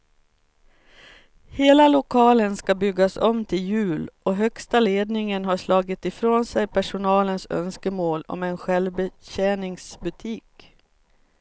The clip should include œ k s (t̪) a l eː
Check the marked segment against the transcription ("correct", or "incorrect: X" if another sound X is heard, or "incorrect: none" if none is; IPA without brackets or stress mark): correct